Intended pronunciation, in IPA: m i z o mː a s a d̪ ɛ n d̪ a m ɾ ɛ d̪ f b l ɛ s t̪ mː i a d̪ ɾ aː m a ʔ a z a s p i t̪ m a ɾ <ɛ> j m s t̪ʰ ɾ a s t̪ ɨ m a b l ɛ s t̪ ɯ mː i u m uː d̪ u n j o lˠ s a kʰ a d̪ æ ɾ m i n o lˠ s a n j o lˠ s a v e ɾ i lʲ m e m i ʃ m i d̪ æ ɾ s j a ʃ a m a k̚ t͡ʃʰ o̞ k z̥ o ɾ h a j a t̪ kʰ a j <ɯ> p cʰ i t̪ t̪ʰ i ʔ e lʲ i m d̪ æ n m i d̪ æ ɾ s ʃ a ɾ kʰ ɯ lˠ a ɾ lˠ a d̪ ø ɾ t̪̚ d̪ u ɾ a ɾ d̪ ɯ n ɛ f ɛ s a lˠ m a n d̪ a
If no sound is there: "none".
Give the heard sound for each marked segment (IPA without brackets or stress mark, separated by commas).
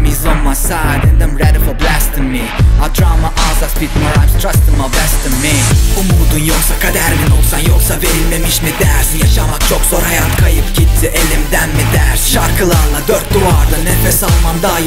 a, ɯ